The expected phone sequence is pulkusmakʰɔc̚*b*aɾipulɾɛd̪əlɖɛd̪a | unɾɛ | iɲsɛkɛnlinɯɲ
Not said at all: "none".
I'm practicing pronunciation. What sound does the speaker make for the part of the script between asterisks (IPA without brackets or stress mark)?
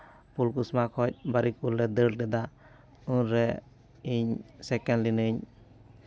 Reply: b